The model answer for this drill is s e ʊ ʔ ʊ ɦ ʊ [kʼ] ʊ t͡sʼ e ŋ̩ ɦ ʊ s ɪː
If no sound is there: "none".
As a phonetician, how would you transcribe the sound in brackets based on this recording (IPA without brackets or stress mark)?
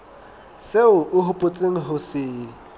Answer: pʼ